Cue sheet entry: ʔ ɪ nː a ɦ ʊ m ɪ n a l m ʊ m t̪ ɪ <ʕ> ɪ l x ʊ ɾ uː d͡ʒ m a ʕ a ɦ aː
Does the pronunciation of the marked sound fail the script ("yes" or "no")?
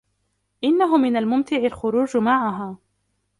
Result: no